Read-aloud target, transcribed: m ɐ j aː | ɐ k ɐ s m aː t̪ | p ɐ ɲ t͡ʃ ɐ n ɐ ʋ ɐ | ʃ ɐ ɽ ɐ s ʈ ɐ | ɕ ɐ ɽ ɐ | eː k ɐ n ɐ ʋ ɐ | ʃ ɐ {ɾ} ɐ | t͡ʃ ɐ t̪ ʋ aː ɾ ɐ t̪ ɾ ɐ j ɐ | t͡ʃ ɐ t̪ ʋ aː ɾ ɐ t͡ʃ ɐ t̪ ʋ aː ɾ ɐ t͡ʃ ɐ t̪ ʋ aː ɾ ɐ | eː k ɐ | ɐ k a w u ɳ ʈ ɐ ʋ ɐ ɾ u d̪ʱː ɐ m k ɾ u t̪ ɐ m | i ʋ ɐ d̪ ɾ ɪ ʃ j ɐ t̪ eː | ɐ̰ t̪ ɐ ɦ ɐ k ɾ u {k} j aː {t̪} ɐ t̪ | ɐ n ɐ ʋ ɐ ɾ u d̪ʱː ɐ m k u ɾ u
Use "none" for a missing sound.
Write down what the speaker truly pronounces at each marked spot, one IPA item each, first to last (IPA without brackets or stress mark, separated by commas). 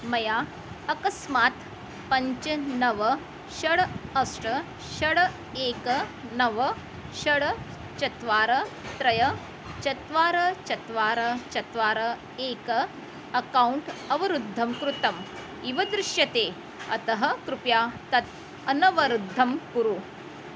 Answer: ɽ, p, t̪